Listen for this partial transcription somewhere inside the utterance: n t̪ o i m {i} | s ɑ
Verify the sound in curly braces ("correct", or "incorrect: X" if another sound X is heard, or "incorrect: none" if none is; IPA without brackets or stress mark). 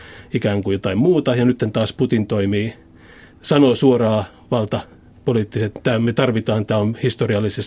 incorrect: iː